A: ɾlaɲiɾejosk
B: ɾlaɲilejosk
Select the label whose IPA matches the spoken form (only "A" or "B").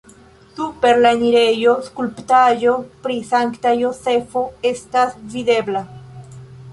A